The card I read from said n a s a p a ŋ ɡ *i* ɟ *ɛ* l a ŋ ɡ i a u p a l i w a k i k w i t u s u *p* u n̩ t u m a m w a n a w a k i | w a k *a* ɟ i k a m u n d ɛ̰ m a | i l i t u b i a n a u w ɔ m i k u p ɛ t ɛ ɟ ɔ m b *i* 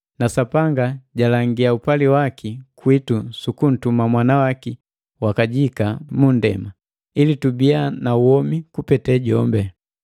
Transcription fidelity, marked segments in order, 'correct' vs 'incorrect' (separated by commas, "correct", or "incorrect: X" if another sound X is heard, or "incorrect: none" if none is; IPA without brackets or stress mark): incorrect: a, incorrect: a, incorrect: k, correct, incorrect: ɛ